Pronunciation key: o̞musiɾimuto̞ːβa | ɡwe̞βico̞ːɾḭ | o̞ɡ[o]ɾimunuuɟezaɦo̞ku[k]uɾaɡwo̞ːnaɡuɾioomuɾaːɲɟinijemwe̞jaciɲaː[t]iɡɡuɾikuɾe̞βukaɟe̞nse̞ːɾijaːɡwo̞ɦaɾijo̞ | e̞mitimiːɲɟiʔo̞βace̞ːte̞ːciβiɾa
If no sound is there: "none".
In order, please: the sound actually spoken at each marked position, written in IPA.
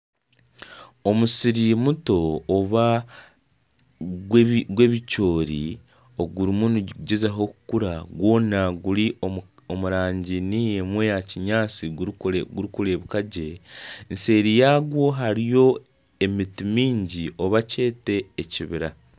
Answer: u, k, t͡s

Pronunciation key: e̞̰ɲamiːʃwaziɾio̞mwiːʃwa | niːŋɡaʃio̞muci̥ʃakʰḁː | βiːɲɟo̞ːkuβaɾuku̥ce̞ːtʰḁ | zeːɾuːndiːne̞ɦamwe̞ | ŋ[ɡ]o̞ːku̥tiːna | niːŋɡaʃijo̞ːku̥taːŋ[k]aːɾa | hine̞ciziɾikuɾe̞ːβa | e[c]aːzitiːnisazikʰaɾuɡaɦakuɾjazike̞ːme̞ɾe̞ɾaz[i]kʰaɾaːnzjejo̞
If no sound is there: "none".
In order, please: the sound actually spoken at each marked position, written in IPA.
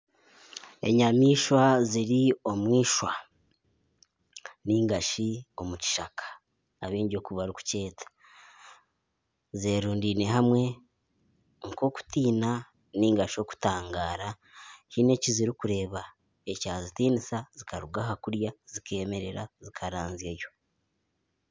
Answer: k, ɡ, c, i

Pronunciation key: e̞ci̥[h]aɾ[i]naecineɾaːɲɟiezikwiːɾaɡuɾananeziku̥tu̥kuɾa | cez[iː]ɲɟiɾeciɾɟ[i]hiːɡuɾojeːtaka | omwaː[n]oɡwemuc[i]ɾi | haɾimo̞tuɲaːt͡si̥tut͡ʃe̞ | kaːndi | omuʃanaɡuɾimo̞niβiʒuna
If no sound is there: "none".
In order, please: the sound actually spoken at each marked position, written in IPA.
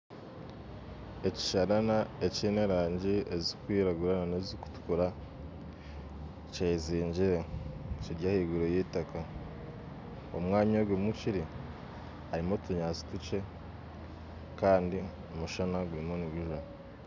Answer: ʃ, a, iː, a, ɲ, i

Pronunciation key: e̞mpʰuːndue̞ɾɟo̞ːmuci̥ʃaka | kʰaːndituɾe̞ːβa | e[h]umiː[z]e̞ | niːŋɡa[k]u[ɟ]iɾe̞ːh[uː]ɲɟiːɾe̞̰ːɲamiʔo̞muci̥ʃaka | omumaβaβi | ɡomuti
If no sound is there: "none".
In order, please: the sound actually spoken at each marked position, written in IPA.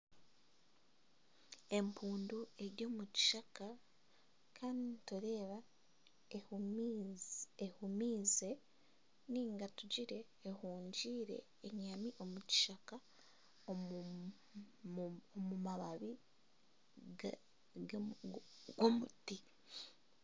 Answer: h, z, t, ɟ, uː

